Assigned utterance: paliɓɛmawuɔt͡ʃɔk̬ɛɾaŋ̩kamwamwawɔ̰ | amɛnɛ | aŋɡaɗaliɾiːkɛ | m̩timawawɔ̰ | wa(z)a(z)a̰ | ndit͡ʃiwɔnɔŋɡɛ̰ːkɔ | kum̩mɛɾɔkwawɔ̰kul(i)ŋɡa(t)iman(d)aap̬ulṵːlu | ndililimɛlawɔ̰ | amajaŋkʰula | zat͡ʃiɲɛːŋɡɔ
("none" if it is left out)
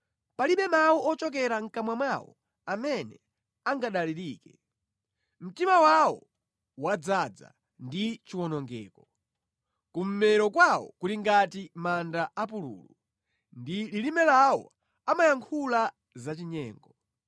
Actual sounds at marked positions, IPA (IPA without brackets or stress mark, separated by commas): d͡z, d͡z, i, t, d